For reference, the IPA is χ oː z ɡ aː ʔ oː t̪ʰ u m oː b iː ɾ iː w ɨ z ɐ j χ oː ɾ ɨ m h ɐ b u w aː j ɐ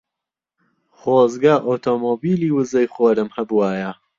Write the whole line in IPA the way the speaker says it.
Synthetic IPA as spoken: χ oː z ɡ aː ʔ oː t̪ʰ o m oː b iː l iː w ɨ z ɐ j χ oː ɾ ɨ m h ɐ b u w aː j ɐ